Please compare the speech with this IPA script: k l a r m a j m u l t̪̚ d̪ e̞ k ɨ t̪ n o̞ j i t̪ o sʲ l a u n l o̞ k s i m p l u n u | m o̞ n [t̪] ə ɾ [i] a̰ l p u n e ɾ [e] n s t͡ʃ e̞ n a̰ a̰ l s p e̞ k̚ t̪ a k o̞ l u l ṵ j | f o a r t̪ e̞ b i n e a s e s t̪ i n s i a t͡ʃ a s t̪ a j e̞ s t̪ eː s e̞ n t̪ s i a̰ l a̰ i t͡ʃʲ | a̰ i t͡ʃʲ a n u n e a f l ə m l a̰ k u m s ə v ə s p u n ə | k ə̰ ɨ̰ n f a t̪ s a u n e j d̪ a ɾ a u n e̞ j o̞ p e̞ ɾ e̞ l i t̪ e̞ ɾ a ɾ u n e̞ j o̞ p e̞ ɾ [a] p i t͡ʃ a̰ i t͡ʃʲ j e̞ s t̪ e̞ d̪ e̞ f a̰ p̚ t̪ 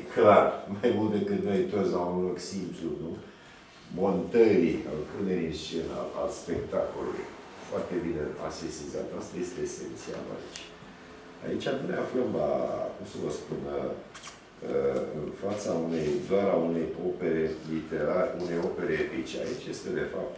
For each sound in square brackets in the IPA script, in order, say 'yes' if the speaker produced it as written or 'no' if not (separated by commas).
yes, yes, no, no